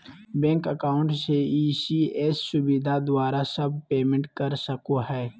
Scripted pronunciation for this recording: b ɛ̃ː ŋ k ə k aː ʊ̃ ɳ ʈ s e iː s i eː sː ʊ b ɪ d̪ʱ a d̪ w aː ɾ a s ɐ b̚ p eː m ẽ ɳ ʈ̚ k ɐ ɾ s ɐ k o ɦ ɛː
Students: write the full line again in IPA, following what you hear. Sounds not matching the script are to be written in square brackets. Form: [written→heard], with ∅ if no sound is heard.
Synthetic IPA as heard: b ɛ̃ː ŋ k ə k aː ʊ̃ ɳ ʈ s e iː s i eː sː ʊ b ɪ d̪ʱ a d̪ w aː ɾ a s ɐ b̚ p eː m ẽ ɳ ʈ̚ k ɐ ɾ s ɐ k o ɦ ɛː